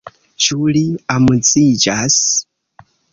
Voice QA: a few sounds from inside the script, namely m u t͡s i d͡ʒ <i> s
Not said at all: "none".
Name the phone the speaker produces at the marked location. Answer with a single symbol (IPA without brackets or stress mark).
a